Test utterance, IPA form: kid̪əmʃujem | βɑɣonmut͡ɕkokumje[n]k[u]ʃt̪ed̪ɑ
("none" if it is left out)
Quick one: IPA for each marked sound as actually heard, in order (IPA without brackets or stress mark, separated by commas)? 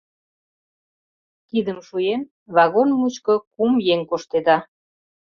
ŋ, o